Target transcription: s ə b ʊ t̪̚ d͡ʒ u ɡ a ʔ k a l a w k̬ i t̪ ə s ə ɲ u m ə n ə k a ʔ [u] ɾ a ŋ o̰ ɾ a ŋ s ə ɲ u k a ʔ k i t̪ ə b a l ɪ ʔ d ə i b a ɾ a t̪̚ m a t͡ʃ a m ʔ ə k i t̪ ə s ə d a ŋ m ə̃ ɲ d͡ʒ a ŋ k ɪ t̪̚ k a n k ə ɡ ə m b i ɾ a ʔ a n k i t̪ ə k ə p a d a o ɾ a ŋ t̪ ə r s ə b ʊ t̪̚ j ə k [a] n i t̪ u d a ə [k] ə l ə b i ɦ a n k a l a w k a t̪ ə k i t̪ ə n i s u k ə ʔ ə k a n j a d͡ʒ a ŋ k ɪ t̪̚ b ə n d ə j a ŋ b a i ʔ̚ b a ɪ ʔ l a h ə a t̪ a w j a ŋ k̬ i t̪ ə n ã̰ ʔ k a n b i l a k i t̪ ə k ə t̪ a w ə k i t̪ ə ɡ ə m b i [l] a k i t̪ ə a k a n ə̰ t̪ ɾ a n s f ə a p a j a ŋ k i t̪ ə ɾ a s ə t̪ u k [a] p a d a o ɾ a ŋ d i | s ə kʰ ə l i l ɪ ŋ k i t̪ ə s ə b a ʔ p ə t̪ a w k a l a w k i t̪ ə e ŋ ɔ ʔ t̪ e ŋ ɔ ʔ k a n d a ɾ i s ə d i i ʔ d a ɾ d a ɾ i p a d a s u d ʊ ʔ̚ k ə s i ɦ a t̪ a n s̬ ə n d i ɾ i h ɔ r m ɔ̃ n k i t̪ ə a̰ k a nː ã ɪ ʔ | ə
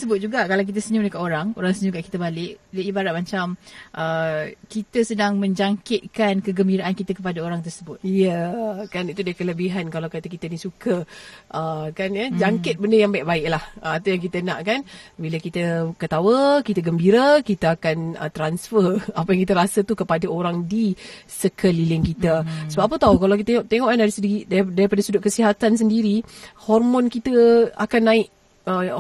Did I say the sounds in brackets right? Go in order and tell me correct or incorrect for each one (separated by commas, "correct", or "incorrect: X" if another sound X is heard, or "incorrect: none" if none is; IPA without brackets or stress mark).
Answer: incorrect: o, correct, correct, incorrect: ɾ, incorrect: ə